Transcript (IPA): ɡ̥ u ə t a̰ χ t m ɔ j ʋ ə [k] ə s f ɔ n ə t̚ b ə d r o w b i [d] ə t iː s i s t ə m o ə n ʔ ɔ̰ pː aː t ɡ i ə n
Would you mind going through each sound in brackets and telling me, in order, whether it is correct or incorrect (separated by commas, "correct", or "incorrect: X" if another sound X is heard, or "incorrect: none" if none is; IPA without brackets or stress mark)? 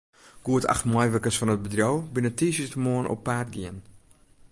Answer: correct, incorrect: n